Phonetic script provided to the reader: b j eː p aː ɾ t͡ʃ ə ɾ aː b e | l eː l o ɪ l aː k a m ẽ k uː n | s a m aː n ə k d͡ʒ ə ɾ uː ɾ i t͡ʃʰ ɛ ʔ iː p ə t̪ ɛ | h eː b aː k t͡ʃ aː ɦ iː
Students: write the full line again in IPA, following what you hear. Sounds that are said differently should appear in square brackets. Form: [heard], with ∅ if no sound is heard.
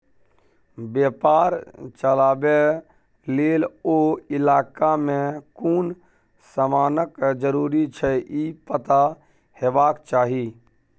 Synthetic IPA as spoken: b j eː p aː ɾ t͡ʃ ə [l] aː b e | l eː l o ɪ l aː k a m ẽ k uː n | s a m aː n ə k d͡ʒ ə ɾ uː ɾ i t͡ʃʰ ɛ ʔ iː p ə t̪ [a] | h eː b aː k t͡ʃ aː ɦ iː